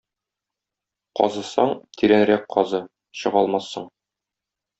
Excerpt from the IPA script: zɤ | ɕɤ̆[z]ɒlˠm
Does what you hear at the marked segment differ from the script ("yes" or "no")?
yes